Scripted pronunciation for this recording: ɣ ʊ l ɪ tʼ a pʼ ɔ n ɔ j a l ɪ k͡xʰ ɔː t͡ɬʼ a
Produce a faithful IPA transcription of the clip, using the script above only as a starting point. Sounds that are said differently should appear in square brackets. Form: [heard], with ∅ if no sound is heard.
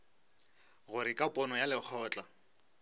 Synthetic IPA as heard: ɣ ʊ [ɾ] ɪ [kʼ] a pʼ ɔ n ɔ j a l ɪ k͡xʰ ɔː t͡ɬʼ a